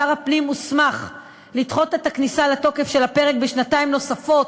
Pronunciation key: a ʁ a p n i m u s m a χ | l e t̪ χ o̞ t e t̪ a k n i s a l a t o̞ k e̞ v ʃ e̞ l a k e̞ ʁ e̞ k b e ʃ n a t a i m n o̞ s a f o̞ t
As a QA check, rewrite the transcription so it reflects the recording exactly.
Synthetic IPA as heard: a ʁ a p n i m u s m a χ | l i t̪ χ o̞ t e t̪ a k n i s a l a t o̞ k e̞ f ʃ e̞ l a p e̞ ʁ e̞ k b e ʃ n a t a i m n o̞ s a f o̞ t